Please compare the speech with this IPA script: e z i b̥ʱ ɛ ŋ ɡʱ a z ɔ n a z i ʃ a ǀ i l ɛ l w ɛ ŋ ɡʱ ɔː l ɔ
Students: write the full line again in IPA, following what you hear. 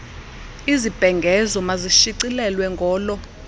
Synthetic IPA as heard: i z i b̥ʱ ɛ ŋ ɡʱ ɛ z ɔ m a z i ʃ i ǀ i l ɛ l w ɛ ŋ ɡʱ ɔː l ɔ